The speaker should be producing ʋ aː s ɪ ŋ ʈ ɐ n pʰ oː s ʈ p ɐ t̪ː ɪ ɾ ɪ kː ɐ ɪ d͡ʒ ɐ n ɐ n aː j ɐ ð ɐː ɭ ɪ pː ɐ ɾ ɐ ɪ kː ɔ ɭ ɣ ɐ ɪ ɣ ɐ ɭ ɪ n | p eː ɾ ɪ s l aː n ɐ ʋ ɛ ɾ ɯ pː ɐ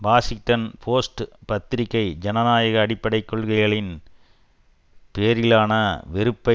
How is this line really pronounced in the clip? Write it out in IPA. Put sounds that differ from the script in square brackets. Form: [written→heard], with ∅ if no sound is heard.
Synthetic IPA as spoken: ʋ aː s ɪ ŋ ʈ ɐ n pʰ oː s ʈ p ɐ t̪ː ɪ ɾ ɪ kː ɐ ɪ d͡ʒ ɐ n ɐ n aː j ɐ [ð→ɣ] ɐː [ɭ→ɽ] ɪ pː ɐ [ɾ→ɽ] ɐ ɪ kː ɔ ɭ ɣ ɐ ɪ ɣ ɐ ɭ ɪ n | p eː ɾ ɪ [s→∅] l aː n ɐ ʋ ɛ ɾ ɯ pː ɐ